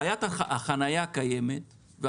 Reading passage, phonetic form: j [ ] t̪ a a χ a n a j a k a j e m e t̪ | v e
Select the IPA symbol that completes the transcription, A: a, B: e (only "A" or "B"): A